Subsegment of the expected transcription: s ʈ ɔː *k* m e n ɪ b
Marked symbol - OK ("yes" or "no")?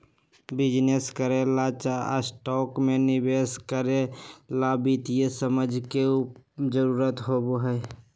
yes